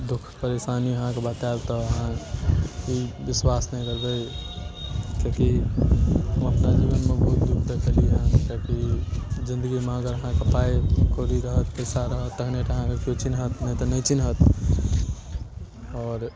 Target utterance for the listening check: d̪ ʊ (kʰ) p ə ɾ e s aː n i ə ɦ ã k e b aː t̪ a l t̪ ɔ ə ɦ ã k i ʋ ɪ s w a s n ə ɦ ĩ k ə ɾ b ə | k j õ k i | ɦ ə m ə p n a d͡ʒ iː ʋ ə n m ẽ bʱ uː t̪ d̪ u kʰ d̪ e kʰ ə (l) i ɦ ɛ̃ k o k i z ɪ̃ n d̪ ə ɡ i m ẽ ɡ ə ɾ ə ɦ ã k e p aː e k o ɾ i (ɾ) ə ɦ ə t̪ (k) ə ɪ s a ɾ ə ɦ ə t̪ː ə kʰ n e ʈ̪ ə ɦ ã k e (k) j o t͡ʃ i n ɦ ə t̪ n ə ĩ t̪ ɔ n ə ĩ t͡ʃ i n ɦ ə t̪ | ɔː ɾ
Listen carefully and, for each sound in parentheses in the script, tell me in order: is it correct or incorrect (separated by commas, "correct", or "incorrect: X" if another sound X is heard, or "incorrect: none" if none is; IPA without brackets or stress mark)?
correct, correct, correct, incorrect: p, correct